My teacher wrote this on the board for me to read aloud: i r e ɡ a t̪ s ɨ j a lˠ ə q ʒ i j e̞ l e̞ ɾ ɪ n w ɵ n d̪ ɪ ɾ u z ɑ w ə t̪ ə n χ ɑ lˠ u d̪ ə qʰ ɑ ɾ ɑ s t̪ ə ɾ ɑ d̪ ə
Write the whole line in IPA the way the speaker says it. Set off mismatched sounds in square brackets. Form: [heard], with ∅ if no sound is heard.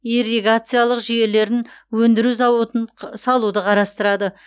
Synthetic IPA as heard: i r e ɡ a t̪ s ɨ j a lˠ ə q ʒ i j e̞ l e̞ ɾ ɪ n w ɵ n d̪ ɪ ɾ u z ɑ w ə t̪ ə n [s] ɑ lˠ u d̪ ə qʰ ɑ ɾ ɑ s t̪ ə ɾ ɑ d̪ ə